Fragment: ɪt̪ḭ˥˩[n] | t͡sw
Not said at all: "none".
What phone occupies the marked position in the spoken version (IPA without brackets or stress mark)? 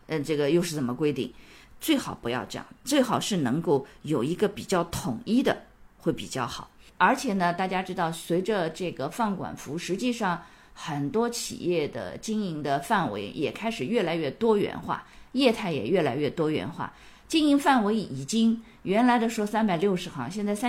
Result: ŋ